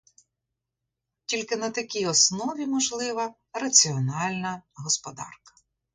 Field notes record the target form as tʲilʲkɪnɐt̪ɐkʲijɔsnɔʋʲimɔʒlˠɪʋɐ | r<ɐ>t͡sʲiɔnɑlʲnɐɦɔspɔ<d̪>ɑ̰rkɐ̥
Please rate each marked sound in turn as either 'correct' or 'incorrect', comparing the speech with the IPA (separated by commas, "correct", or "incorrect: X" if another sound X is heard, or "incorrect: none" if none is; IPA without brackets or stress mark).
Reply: correct, correct